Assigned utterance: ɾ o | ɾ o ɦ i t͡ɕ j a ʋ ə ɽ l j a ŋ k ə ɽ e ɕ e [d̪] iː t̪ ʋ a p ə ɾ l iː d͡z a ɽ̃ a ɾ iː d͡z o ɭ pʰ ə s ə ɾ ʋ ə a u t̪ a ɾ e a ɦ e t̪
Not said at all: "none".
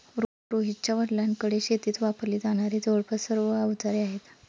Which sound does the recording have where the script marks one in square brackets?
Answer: t̪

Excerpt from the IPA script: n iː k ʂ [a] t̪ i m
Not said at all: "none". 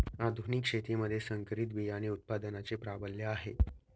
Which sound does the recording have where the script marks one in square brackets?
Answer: e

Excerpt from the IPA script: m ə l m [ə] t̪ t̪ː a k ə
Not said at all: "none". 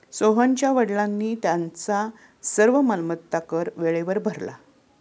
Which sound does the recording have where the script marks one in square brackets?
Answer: ə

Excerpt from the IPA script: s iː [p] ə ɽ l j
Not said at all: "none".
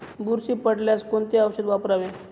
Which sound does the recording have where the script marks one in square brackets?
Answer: p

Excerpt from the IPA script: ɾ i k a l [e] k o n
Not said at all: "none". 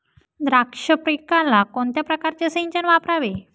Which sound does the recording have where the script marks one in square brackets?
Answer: a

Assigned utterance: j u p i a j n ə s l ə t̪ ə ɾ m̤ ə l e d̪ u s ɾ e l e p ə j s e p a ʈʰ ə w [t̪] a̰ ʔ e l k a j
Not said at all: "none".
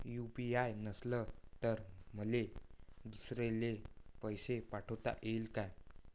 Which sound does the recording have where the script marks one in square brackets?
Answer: t̪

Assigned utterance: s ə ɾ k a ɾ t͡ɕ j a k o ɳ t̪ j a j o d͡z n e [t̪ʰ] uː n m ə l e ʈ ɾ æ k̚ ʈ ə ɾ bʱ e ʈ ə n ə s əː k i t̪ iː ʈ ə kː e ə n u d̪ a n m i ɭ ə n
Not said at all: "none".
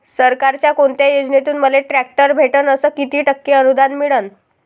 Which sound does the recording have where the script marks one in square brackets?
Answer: t̪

